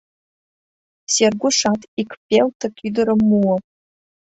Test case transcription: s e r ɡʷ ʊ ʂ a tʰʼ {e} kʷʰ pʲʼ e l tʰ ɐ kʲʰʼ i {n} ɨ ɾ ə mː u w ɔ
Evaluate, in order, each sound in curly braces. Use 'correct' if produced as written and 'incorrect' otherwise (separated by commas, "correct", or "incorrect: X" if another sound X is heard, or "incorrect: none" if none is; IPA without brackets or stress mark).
incorrect: i, incorrect: d